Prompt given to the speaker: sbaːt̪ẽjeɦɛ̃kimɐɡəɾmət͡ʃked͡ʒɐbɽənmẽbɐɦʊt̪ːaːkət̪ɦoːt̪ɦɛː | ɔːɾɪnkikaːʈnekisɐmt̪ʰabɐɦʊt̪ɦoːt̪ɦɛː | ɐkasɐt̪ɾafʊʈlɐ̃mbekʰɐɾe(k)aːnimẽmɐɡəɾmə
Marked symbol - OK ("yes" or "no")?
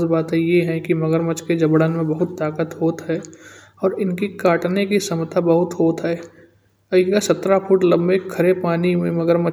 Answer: no